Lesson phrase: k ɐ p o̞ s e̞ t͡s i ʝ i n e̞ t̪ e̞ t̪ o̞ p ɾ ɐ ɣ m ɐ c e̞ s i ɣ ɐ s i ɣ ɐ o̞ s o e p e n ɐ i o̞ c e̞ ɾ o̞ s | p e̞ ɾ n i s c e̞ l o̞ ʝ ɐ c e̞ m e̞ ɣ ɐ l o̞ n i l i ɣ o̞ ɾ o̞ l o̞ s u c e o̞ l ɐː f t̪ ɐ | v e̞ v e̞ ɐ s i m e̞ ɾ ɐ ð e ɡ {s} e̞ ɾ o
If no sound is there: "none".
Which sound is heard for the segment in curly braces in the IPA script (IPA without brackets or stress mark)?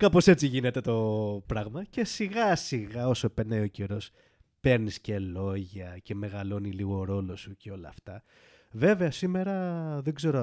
z